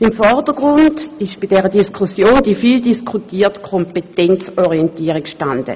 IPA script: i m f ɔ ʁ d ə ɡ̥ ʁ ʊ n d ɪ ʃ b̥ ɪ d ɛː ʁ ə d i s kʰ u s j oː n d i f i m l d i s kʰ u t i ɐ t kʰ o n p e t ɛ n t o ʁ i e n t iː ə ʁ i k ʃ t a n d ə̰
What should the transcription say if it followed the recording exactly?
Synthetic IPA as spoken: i m f ɔ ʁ d ə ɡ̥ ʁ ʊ n d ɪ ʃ b̥ i d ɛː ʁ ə d i s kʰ u s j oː n d i f i l d i s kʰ u t iː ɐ t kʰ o m p e t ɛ n t͡s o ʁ i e n t iː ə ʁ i k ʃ t a n d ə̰